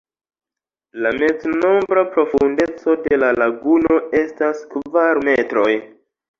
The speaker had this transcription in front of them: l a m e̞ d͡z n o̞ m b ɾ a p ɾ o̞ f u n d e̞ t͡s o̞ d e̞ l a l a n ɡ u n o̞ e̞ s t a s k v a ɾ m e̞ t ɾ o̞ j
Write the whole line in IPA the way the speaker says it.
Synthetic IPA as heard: l a m e̞ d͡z n o̞ m b ɾ a p ɾ o̞ f u n d e̞ t͡s o̞ d e̞ l a l a ɡ u n o̞ e̞ s t a s k v a ɾ m e̞ t ɾ o̞ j